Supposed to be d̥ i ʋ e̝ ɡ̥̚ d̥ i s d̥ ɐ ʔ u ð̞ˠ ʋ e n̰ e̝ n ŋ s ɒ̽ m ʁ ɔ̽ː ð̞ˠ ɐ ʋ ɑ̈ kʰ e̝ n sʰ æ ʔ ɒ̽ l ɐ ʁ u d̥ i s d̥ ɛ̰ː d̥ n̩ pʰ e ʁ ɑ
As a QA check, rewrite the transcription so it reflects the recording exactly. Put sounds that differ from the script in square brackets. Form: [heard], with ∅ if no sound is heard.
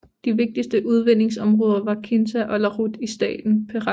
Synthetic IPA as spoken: d̥ i ʋ e̝ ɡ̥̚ d̥ i s d̥ [ə] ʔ u ð̞ˠ ʋ e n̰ e̝ [∅] ŋ s ɒ̽ m ʁ ɔ̽ː ð̞ˠ ɐ ʋ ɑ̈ kʰ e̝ n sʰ æ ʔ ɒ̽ l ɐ ʁ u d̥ i s d̥ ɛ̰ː d̥ n̩ pʰ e ʁ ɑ